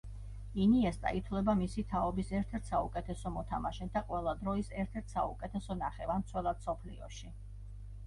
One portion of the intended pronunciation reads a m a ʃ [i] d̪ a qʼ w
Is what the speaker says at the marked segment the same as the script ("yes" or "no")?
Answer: no